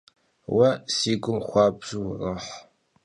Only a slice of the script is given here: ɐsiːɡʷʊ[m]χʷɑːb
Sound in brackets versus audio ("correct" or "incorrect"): correct